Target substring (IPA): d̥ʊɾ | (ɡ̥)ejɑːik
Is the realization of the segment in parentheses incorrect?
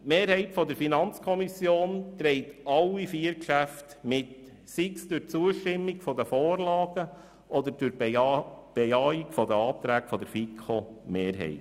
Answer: yes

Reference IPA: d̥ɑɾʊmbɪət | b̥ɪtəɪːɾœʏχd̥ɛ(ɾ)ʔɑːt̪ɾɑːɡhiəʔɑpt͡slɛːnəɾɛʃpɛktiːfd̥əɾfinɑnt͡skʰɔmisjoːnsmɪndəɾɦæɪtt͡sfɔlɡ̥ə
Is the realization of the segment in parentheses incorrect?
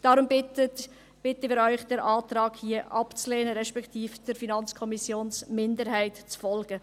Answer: no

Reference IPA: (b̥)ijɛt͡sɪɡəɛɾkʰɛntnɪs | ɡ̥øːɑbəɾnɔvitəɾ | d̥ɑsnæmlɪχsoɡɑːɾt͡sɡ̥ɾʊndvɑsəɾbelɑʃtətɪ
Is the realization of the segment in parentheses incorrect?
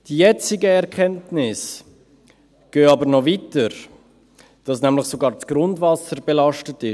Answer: yes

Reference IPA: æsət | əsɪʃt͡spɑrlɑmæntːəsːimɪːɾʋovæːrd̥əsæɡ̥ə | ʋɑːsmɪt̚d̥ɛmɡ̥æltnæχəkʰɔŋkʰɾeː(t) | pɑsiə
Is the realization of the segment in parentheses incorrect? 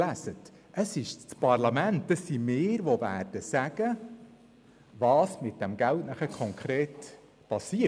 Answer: no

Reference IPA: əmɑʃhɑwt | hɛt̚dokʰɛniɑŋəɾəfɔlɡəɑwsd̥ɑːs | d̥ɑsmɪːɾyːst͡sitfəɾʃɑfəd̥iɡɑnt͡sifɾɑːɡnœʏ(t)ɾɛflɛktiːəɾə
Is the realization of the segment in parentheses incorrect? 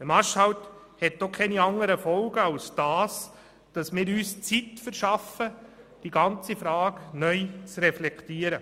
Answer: yes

